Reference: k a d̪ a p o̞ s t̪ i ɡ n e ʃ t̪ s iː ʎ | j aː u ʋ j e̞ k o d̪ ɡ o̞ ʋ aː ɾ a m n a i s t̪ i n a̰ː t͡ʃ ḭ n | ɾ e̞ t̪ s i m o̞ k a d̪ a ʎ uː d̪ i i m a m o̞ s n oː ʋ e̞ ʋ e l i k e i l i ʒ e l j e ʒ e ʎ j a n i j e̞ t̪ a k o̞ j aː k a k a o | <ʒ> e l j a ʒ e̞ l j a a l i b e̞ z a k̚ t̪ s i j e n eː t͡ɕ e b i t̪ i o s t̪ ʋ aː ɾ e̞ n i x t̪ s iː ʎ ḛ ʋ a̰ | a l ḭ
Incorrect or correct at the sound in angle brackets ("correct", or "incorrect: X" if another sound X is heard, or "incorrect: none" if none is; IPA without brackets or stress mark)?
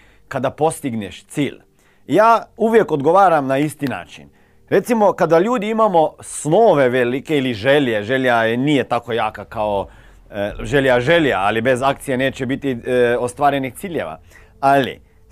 correct